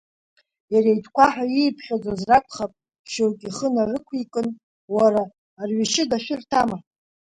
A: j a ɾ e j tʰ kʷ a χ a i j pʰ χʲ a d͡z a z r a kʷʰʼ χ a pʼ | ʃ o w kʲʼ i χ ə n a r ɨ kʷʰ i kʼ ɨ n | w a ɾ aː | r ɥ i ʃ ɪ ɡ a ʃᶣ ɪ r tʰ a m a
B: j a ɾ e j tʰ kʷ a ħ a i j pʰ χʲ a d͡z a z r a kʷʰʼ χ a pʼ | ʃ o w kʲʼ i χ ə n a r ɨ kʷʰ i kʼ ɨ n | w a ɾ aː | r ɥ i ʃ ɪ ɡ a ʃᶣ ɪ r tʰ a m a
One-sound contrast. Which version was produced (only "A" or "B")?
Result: B